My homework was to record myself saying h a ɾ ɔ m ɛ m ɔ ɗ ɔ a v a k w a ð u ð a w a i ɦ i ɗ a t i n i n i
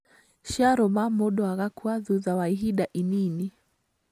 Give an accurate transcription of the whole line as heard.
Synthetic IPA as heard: ʃ a ɾ ɔ m a m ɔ ɗ ɔ a ɣ a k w a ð u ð a w a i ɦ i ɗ a ʔ i n i n i